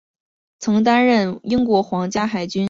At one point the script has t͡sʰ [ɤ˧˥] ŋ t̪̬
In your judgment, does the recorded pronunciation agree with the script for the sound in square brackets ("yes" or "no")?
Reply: yes